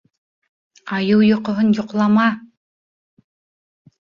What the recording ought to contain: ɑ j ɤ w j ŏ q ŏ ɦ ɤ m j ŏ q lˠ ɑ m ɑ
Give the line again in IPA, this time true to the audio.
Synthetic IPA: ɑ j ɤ w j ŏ q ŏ ɦ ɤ n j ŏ q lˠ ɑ m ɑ